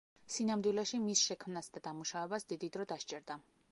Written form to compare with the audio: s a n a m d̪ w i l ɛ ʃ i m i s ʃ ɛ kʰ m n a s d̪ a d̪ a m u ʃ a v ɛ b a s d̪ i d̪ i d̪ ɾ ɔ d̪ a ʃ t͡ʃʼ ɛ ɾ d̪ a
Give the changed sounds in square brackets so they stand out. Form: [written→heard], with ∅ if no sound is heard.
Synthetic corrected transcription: s [a→i] n a m d̪ w i l ɛ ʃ i m i s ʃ ɛ kʰ m n a s d̪ a d̪ a m u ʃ a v ɛ b a s d̪ i d̪ i d̪ ɾ ɔ d̪ a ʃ t͡ʃʼ ɛ ɾ d̪ a